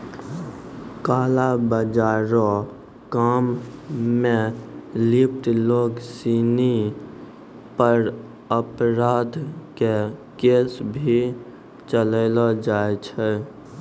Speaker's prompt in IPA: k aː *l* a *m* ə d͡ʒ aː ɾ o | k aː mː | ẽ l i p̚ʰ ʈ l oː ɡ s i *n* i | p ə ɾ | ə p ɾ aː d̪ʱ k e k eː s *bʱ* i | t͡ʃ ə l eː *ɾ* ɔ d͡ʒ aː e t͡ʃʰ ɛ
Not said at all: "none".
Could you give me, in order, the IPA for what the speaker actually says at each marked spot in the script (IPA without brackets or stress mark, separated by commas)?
l, b, n, bʱ, l